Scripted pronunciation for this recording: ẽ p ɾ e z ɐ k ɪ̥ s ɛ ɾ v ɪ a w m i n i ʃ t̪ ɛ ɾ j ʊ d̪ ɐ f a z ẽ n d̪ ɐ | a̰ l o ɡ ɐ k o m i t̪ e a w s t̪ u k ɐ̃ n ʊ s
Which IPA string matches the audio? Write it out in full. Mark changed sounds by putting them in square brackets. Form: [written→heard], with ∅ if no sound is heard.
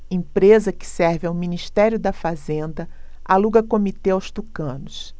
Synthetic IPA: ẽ p ɾ e z ɐ k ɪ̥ s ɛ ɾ v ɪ a w m i n i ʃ t̪ ɛ ɾ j ʊ d̪ ɐ f a z ẽ n d̪ ɐ | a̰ l [o→u] ɡ ɐ k o m i t̪ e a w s t̪ u k ɐ̃ n ʊ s